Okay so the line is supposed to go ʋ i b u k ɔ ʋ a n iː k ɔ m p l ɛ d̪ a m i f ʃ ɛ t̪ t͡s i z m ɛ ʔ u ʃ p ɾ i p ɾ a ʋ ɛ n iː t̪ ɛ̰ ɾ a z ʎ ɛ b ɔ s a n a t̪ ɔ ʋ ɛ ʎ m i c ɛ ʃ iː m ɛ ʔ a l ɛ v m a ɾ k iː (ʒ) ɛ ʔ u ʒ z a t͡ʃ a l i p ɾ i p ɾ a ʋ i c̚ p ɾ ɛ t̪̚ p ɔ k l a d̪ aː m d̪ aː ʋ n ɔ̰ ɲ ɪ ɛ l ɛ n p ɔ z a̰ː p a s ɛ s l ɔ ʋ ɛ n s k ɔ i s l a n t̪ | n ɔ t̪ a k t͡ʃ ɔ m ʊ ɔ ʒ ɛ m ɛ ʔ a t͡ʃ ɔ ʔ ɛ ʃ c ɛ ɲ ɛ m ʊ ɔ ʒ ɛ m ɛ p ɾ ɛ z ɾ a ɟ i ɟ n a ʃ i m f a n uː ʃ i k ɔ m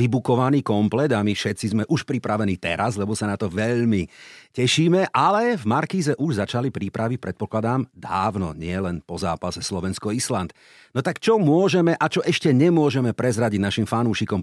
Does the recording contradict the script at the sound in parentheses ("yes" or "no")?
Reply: yes